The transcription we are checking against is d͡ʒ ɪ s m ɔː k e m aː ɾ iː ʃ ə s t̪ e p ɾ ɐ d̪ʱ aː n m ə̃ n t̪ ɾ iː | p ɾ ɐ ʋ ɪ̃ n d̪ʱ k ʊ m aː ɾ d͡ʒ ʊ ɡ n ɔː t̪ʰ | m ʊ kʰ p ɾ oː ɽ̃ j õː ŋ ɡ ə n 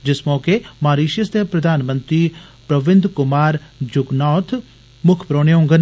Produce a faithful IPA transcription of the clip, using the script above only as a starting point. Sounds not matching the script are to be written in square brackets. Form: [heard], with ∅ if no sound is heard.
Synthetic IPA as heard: d͡ʒ ɪ s m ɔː k e m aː ɾ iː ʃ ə s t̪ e p ɾ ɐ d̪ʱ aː n m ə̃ n t̪ ɾ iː | p ɾ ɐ ʋ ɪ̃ n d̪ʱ k ʊ m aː ɾ d͡ʒ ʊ ɡ n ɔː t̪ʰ | m ʊ kʰ p ɾ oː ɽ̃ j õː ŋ ɡ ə n